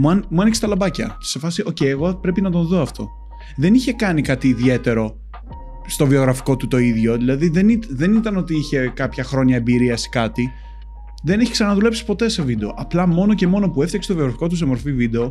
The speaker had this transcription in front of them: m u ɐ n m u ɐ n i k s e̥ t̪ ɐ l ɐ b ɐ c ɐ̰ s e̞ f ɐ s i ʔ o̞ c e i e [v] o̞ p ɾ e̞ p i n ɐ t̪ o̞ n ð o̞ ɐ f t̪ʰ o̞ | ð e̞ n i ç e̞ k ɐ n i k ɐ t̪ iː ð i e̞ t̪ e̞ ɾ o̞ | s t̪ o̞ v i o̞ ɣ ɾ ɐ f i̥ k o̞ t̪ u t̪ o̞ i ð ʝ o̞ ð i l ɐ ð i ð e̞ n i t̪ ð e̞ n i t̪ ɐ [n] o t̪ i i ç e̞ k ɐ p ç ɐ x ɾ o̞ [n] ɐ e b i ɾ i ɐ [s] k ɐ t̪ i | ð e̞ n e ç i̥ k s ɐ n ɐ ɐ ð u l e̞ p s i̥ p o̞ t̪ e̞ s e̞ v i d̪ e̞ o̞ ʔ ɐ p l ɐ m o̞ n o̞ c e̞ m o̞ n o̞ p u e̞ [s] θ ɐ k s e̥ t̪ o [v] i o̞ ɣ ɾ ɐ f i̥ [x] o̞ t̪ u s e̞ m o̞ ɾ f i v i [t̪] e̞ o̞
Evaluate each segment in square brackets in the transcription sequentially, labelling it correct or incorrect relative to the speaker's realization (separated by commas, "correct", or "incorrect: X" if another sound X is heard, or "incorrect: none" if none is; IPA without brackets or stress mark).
incorrect: ɣ, correct, incorrect: ɲ, correct, incorrect: f, correct, incorrect: k, incorrect: d̪